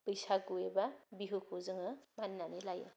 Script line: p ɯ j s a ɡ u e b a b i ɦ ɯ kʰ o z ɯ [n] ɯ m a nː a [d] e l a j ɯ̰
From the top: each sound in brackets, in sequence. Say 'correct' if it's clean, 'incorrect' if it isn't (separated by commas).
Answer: incorrect, incorrect